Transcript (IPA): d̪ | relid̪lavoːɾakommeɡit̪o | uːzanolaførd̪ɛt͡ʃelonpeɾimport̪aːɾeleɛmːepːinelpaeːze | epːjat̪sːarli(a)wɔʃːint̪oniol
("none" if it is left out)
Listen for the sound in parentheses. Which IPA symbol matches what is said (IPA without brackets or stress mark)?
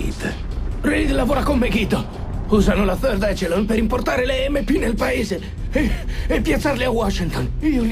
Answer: a